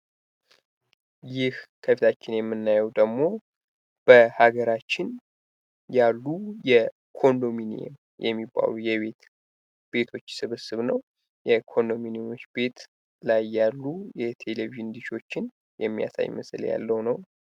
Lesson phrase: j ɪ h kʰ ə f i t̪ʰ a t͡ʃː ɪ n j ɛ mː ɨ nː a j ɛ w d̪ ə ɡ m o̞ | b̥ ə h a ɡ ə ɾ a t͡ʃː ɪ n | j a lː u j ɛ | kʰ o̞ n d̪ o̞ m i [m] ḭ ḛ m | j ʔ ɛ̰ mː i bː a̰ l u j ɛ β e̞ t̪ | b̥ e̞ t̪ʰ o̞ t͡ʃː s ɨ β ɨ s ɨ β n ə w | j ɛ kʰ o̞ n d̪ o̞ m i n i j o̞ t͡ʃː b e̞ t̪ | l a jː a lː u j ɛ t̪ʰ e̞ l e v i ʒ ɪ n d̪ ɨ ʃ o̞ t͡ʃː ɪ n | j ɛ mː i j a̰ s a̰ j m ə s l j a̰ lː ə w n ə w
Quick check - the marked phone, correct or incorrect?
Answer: incorrect